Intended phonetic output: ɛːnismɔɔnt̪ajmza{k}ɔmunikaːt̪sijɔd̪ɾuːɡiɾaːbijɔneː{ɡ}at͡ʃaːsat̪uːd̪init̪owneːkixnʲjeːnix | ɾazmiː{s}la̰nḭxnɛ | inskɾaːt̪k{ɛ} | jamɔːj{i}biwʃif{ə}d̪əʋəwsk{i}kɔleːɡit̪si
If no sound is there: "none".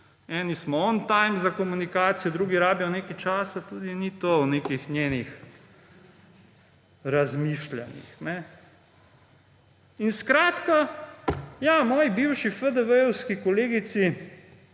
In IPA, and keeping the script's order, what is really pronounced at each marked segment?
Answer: k, k, ʃ, a, i, ə, i

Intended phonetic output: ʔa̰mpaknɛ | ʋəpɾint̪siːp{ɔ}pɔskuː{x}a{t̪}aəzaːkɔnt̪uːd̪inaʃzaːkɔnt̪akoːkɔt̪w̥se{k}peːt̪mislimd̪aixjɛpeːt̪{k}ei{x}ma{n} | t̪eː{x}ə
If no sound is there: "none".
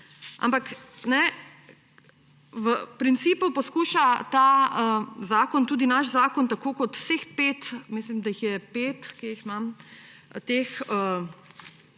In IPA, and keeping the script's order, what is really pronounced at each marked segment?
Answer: u, ʃ, t̪, x, k, x, m, x

